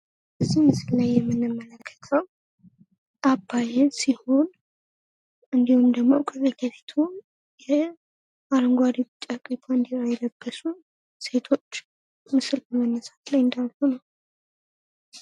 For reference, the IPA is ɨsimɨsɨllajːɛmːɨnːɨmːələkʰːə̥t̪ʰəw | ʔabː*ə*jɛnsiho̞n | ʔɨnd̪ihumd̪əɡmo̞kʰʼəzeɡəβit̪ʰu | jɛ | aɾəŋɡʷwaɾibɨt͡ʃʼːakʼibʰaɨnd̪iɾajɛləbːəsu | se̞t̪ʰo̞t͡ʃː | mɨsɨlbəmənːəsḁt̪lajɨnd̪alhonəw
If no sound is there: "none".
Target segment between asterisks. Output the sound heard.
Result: a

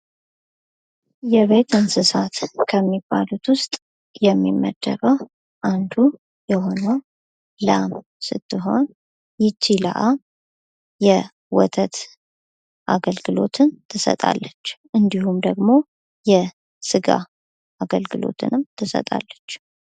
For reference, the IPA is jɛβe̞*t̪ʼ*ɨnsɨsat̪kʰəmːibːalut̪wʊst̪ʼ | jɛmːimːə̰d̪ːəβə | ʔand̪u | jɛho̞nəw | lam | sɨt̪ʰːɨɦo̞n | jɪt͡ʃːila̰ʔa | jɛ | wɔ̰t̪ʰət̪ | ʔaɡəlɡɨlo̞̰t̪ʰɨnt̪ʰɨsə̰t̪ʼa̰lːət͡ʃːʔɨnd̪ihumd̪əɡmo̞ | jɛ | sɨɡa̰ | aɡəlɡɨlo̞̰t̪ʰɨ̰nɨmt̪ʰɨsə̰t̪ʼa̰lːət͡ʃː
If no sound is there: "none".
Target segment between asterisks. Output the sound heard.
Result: t̪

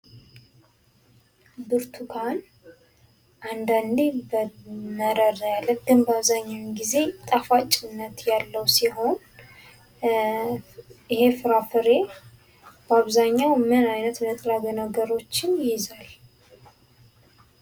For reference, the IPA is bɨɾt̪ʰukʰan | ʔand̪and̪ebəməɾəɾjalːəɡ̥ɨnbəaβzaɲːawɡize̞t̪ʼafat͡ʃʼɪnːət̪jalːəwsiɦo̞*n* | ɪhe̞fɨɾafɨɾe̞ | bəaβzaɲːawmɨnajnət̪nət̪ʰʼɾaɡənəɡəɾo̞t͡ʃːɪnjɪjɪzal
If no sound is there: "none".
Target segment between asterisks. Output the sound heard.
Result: n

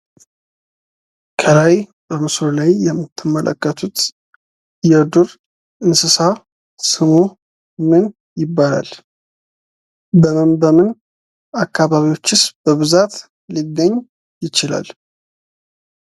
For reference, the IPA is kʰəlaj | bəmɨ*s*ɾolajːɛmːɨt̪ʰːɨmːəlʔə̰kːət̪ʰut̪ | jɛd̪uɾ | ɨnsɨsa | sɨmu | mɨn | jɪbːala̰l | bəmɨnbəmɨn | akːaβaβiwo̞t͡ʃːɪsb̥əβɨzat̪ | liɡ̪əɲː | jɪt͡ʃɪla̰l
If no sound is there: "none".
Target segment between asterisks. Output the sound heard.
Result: s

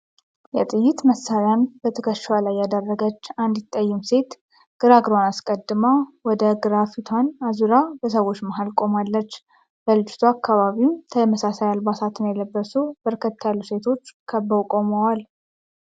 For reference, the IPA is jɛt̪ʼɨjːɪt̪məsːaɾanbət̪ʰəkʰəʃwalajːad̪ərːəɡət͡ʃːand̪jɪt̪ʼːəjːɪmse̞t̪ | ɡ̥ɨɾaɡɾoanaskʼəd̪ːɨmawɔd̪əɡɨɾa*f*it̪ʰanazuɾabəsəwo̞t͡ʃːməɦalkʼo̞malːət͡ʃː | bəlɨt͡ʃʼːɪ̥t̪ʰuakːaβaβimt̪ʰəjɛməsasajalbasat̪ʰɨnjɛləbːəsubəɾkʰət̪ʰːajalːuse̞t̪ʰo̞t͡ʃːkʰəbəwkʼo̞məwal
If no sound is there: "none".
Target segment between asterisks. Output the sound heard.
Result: f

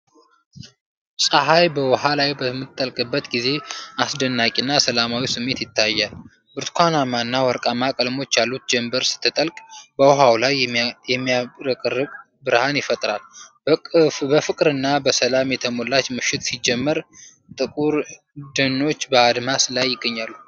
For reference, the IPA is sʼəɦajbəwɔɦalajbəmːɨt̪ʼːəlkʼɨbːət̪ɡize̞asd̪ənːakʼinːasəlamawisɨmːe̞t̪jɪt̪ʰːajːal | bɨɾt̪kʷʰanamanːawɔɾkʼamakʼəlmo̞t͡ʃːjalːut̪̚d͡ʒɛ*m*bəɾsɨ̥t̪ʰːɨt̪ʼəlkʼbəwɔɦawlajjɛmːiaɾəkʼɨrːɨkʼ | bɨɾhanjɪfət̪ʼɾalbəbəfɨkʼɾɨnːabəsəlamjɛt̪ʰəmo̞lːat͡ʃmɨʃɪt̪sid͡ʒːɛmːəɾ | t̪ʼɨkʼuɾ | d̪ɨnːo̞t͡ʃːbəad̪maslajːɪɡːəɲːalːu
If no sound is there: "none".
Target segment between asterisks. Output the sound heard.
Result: m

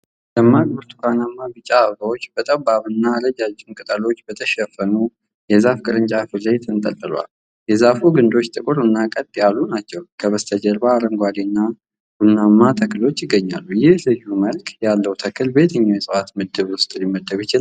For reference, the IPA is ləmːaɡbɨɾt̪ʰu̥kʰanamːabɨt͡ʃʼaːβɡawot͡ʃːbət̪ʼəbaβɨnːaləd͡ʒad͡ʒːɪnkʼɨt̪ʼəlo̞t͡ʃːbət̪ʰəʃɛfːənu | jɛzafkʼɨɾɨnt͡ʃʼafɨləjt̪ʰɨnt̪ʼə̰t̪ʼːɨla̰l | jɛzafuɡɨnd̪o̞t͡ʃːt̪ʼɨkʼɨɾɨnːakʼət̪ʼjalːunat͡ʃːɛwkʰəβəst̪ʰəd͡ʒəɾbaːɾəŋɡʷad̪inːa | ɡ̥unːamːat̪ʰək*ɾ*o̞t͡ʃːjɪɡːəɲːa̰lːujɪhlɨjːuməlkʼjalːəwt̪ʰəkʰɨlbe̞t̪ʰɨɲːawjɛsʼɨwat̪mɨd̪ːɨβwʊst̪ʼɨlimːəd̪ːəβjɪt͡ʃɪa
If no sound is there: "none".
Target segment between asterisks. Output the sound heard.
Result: l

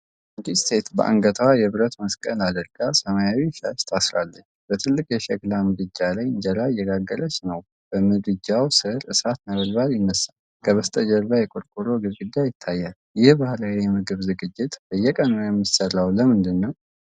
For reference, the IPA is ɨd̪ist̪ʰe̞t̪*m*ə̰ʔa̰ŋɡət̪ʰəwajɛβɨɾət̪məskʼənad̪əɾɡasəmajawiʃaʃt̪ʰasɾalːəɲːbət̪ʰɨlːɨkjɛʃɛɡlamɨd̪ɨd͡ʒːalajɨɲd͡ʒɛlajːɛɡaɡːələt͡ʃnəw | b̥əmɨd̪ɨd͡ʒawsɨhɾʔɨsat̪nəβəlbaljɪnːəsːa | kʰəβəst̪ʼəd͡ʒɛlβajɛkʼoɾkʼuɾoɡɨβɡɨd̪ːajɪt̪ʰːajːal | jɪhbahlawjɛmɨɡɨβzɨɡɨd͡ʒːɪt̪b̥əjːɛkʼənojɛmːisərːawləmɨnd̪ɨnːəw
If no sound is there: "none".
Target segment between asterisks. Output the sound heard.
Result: b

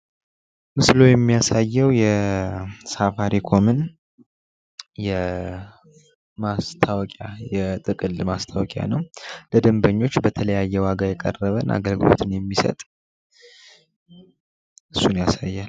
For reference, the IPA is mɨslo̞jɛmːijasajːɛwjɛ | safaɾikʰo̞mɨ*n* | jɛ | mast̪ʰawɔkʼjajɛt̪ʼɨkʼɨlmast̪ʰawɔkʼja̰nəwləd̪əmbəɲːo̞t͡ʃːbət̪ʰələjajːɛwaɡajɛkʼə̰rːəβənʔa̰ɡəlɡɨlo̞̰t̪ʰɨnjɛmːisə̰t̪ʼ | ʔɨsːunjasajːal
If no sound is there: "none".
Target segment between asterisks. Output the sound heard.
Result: n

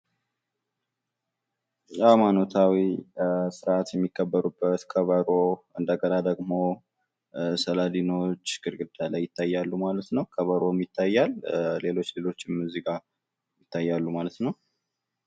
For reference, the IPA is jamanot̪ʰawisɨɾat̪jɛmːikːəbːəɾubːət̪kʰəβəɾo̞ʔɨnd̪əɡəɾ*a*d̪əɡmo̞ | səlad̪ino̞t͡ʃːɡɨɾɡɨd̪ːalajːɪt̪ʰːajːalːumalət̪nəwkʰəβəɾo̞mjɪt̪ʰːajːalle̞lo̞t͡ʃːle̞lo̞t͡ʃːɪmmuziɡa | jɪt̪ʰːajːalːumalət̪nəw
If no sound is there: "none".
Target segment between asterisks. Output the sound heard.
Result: a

